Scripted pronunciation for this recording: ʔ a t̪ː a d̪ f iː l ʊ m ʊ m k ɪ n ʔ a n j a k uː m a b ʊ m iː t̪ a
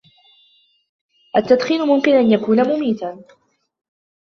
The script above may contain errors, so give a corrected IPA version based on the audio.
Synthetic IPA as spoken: ʔ a t̪ː a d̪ x iː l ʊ m ʊ m k ɪ n ʔ a n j a k uː n a m ʊ m iː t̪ a